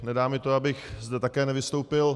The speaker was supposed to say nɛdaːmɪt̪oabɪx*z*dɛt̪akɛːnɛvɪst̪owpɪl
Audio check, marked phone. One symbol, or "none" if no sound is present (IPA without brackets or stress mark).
z